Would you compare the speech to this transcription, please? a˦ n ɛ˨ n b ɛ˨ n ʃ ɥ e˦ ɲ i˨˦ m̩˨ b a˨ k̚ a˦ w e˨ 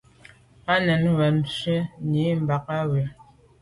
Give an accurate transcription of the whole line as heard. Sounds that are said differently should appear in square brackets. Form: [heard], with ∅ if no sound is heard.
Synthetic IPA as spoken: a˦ n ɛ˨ n [w] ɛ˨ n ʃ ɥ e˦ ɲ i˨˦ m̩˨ b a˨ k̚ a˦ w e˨